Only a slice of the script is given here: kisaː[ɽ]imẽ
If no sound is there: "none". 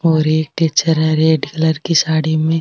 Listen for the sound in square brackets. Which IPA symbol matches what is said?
ɽ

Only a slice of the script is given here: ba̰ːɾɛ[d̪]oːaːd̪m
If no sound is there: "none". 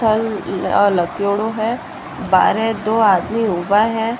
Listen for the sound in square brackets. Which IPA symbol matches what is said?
d̪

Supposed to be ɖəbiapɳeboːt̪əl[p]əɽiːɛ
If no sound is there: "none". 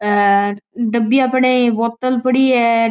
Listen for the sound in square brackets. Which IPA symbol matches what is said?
p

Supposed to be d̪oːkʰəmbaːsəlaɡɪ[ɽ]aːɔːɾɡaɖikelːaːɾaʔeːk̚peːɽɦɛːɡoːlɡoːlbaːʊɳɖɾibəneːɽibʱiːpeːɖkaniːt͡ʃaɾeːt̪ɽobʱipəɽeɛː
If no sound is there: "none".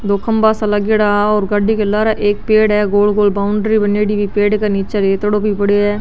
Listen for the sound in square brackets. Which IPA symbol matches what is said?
ɽ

